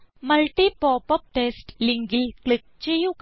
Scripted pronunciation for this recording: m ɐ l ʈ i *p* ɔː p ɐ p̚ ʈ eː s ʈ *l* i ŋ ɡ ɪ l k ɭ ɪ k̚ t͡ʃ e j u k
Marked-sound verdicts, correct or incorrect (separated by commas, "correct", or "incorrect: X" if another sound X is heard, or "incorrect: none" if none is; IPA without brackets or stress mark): correct, correct